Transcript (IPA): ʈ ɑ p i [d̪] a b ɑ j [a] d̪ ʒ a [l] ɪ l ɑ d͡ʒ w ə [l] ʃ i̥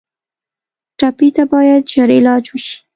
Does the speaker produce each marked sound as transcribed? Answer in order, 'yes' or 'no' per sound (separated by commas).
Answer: no, yes, no, no